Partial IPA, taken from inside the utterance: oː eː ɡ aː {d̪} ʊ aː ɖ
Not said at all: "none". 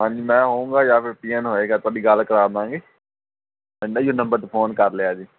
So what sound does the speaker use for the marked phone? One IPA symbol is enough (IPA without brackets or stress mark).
t̪